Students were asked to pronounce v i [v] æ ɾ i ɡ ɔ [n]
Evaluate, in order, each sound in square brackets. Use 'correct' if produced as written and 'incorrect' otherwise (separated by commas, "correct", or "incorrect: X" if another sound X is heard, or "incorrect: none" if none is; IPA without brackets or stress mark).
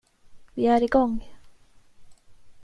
incorrect: none, incorrect: ŋ